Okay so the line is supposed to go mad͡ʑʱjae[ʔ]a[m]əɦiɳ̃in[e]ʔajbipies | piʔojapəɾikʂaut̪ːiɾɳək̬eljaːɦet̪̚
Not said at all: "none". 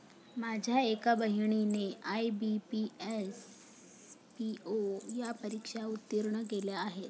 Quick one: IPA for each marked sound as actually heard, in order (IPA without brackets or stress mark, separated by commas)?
k, b, e